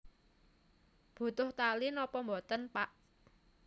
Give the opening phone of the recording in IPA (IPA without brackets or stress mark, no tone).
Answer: b̥